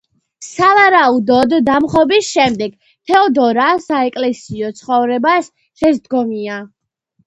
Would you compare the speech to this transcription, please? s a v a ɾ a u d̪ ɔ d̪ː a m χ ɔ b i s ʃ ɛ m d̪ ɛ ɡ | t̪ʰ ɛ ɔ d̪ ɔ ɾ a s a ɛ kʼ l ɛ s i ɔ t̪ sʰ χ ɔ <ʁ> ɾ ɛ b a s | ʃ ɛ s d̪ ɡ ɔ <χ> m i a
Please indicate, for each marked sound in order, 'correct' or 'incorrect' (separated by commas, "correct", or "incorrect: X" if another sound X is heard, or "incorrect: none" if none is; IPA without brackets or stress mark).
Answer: incorrect: v, incorrect: none